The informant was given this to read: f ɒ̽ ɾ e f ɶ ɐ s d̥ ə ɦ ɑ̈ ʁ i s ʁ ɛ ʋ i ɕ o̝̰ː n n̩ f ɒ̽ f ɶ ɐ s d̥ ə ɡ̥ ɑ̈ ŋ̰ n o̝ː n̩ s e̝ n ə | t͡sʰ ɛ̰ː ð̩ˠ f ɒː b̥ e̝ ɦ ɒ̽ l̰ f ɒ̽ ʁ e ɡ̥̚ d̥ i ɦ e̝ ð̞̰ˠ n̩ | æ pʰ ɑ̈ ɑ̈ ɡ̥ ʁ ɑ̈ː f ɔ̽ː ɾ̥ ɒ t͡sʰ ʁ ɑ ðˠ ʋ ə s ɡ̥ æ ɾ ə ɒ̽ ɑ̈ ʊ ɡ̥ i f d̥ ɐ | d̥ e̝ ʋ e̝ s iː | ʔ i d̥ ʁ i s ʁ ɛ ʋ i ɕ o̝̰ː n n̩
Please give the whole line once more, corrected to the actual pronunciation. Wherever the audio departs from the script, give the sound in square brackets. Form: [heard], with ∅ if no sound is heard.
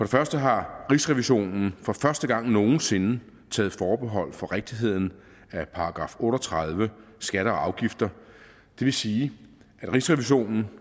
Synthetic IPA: f ɒ̽ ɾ e f ɶ ɐ s d̥ ə ɦ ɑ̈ ʁ i s ʁ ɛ ʋ i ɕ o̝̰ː n n̩ f ɒ̽ f ɶ ɐ s d̥ ə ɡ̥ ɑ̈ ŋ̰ n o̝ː n̩ s e̝ n ə | t͡sʰ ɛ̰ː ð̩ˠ f ɒː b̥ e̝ ɦ ɒ̽ l̰ f ɒ̽ ʁ e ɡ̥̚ d̥ i ɦ e̝ ð̞̰ˠ n̩ | æ pʰ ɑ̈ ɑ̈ ɡ̥ ʁ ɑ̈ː f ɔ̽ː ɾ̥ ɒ t͡sʰ ʁ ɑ ðˠ ʋ ə s ɡ̥ æ ɾ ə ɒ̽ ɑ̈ ʊ ɡ̥ i f d̥ ɐ | d̥ e̝ ʋ e̝ s iː | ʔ [æ] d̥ ʁ i s ʁ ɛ ʋ i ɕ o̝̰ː n n̩